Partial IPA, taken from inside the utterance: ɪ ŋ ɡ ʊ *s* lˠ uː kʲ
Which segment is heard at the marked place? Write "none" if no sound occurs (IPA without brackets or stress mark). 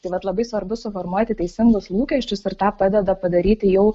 s